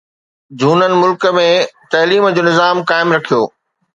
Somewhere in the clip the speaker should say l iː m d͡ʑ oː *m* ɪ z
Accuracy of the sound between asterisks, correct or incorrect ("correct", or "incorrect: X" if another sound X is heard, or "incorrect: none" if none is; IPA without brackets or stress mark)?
incorrect: n